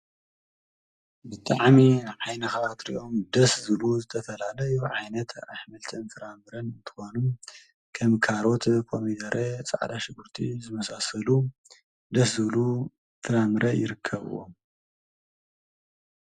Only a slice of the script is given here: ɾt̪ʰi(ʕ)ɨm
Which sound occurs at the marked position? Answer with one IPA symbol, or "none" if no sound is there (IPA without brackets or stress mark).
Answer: z